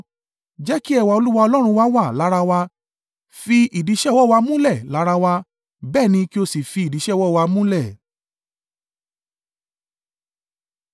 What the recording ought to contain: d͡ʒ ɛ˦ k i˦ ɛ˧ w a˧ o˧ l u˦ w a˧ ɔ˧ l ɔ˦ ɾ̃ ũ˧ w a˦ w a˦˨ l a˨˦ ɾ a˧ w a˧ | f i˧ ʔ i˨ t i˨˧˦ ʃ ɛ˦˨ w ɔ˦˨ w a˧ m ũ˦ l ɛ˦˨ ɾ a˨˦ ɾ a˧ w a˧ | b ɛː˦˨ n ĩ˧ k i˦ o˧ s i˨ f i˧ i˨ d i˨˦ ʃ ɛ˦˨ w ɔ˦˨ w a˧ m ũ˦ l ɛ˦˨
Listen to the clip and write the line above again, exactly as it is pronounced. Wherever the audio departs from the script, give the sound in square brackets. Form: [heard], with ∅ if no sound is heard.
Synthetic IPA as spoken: d͡ʒ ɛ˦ k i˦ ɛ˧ w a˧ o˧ l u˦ w a˧ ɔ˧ l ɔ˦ ɾ̃ ũ˧ w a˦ w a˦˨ l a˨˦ ɾ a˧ w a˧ | f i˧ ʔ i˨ [d] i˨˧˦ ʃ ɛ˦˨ w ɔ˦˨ w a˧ m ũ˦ l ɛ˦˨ [l] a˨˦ ɾ a˧ w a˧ | b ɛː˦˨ n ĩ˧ k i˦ o˧ s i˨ f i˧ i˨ d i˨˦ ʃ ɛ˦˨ w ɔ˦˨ w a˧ m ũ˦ l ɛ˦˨